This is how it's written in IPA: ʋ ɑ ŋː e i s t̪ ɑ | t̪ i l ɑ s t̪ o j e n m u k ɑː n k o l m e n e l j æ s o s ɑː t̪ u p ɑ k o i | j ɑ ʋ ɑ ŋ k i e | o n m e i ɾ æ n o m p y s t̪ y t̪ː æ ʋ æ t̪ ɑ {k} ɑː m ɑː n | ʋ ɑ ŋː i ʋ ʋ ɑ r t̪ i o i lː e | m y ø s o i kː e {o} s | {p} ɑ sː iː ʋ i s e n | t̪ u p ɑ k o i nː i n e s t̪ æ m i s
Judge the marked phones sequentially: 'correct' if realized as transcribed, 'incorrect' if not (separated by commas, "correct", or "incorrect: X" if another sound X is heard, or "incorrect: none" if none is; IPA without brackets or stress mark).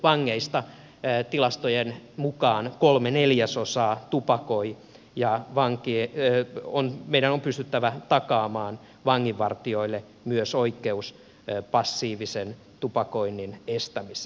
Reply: correct, incorrect: u, correct